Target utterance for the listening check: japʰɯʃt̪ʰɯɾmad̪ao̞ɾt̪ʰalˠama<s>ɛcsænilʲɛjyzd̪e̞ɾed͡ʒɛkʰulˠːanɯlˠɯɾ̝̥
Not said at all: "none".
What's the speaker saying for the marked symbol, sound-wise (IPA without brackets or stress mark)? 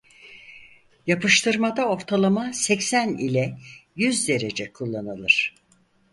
s